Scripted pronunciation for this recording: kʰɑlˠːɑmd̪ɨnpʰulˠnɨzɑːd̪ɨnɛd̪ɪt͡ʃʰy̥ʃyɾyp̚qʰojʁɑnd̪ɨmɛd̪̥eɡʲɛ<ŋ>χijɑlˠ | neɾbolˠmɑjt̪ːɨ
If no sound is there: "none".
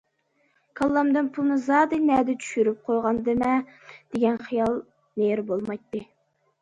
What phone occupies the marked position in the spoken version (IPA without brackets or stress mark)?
n